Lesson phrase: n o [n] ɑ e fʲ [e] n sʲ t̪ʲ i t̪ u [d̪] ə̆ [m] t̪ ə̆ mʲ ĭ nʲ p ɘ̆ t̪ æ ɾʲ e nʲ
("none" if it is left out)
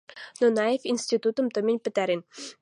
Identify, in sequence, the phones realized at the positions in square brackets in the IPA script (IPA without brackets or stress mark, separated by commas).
n, i, t̪, m